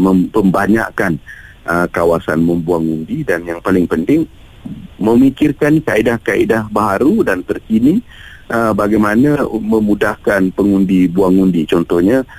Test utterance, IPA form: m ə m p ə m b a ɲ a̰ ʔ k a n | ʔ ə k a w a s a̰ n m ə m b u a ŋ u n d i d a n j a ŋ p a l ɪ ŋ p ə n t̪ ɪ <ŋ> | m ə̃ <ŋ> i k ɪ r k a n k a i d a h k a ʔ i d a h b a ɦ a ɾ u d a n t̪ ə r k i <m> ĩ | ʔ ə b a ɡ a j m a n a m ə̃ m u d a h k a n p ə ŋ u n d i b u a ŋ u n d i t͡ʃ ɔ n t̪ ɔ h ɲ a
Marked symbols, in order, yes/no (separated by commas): yes, no, no